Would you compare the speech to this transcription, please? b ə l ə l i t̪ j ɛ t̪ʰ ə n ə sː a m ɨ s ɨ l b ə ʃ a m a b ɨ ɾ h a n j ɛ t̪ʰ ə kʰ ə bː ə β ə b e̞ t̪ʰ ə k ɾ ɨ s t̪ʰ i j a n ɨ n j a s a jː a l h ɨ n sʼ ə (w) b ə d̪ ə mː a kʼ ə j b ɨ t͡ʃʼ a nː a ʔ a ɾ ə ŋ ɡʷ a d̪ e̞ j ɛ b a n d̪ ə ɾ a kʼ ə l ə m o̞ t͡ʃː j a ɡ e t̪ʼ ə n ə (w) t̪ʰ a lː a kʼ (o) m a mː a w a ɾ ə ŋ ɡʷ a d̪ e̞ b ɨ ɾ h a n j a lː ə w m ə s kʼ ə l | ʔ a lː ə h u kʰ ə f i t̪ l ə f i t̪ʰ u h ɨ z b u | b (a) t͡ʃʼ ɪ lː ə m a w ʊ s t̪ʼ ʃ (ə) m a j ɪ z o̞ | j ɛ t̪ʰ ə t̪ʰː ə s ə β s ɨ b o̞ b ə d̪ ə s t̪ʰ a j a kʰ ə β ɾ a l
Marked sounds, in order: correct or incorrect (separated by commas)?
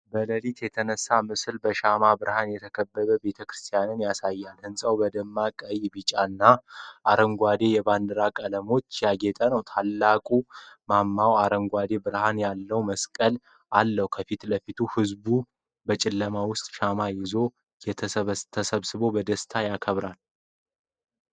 correct, correct, incorrect, incorrect, incorrect